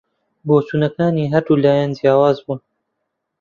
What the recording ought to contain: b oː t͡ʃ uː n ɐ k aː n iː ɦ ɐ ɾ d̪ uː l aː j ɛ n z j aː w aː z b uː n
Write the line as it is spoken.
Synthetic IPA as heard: b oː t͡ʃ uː n ɐ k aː n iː ɦ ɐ ɾ d̪ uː l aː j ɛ n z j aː w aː z b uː n